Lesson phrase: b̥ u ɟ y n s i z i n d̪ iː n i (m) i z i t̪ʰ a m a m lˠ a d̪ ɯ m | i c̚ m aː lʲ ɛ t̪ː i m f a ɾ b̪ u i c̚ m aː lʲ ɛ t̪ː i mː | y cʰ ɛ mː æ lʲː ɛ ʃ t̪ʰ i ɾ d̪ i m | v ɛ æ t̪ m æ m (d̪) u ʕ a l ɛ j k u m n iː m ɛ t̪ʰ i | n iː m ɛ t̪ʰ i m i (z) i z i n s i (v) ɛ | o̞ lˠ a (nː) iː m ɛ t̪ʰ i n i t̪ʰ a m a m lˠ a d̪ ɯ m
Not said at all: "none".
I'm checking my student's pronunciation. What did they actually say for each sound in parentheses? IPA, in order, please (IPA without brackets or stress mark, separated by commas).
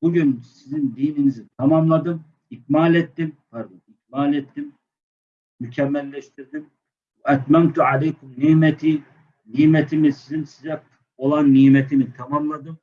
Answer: n, t̪, s, z, nː